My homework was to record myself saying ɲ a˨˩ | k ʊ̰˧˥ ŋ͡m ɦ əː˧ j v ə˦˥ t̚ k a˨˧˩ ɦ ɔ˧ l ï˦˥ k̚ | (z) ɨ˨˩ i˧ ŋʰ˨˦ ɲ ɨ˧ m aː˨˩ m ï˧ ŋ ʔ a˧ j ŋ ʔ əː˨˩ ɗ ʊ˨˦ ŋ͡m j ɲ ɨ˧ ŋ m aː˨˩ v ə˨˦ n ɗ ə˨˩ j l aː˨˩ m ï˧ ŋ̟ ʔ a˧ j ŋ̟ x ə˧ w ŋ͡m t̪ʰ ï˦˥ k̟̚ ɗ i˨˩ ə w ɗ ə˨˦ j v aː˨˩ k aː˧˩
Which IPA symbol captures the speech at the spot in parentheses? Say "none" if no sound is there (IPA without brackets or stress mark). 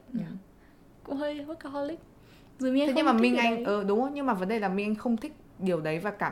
z